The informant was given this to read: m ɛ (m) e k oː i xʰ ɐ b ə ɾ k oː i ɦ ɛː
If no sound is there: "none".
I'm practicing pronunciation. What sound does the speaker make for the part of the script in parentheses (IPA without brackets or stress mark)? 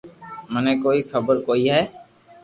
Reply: n